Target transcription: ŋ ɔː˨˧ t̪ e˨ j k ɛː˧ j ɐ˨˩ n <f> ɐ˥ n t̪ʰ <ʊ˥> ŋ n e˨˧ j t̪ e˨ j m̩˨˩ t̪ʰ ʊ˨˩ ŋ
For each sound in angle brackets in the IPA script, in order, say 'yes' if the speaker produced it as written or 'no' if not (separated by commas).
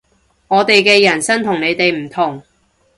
no, no